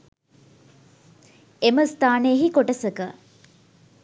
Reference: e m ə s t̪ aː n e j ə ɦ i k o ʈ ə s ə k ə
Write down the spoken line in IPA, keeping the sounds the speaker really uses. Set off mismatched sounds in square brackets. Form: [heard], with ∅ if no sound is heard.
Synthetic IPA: e m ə s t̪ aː n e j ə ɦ i k o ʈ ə s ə k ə